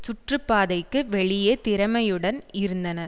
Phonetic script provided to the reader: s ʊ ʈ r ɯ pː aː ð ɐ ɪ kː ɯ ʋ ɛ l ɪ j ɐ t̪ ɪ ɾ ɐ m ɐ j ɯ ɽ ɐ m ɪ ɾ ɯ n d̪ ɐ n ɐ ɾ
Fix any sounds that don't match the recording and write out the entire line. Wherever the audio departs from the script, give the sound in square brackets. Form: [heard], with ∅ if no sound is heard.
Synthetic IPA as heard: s ʊ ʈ r ɯ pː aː ð ɐ ɪ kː ɯ ʋ ɛ [ɭ] ɪ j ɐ t̪ ɪ ɾ ɐ m ɐ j ɯ ɽ ɐ [n] ɪ ɾ ɯ n d̪ ɐ n ɐ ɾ